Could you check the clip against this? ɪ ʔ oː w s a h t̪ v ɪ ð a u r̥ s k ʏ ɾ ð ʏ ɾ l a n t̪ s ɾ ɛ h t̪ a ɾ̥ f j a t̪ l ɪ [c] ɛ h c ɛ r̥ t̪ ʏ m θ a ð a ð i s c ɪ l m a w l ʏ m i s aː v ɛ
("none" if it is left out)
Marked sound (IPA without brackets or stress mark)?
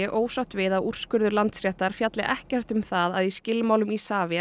ʔ